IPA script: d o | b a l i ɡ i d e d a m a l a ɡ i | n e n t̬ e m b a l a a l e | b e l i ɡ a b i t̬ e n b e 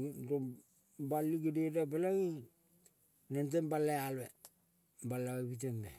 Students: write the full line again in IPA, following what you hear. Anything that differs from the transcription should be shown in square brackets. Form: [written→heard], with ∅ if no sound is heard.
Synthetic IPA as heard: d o | b a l i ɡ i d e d a [m→b] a l a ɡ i | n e n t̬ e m b a l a a l e | b [e→a] l [i→a] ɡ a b i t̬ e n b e

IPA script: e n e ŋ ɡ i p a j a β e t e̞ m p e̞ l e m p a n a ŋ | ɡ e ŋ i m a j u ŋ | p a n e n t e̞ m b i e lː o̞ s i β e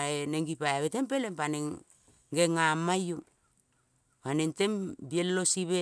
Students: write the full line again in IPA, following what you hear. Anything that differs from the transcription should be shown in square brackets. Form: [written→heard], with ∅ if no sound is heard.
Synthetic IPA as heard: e n e ŋ ɡ i p a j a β e t e̞ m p e̞ l e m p a n [a→e] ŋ | ɡ e ŋ [i→a] m a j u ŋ | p a n e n t e̞ m b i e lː o̞ s i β e

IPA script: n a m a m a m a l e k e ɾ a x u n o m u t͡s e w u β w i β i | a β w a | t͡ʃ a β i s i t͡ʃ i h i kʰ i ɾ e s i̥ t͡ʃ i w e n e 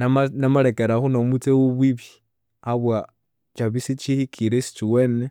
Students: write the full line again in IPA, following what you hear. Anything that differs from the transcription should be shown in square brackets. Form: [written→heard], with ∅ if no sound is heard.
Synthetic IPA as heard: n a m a [m→n] a m a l e k e ɾ a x u n o m u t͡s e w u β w i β i | a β w a | t͡ʃ a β i s i t͡ʃ i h i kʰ i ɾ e s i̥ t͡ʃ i w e n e

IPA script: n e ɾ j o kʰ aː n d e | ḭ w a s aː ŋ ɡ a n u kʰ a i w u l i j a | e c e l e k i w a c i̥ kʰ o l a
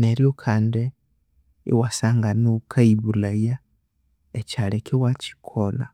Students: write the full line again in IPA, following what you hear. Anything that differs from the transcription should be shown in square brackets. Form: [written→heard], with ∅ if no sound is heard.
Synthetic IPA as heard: n e ɾ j o kʰ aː n d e | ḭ w a s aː ŋ ɡ a n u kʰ a i [w→β] u l [i→a] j a | e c [e→a] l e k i w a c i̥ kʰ o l a

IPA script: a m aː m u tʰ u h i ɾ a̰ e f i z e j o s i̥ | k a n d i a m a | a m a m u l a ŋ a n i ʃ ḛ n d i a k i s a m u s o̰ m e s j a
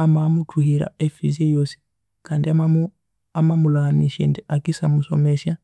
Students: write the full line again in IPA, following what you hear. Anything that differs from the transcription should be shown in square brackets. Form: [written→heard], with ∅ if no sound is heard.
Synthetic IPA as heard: a m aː m u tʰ u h i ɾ a̰ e f i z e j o s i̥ | k a n d i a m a | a m a m u l a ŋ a n i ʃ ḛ n d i a k i s a m u s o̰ m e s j a

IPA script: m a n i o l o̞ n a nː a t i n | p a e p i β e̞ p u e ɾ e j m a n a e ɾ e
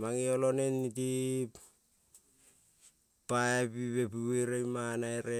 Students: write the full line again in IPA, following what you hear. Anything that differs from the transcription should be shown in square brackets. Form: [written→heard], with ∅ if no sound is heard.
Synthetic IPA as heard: m a [n→ŋ] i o l o̞ n [a→e] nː [a→i] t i [n→∅] | p a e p i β e̞ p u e ɾ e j m a n a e ɾ e

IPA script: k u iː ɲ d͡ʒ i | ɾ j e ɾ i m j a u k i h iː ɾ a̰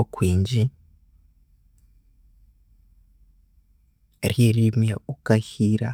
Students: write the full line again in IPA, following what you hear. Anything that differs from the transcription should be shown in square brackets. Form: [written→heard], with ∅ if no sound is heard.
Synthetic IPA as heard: k [u→w] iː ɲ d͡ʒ i | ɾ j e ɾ i m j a u k [i→a] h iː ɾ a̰

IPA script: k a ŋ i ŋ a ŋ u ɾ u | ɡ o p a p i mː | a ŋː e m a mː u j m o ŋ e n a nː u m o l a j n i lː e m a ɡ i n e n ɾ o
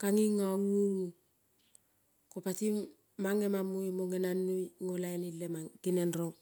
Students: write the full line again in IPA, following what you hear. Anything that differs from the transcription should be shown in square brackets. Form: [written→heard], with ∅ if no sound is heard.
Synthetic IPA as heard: k a ŋ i ŋ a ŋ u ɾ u | [ɡ→k] o p a [p→t] i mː | a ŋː e m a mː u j m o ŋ e n a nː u [m→ŋ] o l a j n i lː e m a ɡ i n e n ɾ o

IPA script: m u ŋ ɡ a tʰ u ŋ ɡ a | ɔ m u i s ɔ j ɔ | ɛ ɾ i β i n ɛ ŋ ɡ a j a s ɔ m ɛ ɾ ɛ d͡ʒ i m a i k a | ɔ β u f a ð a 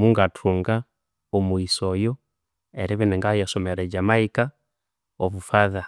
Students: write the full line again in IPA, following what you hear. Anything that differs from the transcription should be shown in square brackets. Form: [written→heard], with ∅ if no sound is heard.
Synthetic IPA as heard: m u ŋ ɡ a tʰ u ŋ ɡ a | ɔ m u i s ɔ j ɔ | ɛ ɾ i β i n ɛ ŋ ɡ a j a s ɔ m ɛ ɾ ɛ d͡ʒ [i→a] m a i k a | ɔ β u f a ð a

